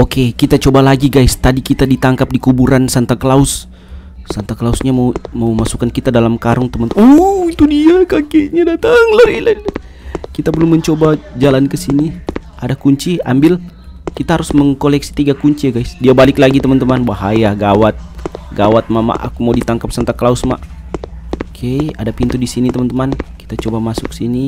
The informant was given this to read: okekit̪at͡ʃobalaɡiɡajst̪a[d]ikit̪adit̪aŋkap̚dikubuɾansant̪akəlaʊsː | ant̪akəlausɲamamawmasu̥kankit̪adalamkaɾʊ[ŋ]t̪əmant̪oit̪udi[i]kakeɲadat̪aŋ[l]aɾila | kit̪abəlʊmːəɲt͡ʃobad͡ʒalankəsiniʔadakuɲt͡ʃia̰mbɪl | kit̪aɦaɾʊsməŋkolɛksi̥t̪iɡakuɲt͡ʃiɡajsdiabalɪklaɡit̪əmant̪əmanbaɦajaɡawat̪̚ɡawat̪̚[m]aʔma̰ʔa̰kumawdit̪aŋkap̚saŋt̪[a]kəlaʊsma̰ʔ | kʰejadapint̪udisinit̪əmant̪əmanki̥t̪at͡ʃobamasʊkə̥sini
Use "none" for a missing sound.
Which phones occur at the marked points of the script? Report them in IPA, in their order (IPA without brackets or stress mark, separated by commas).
d, ŋ, a, l, m, a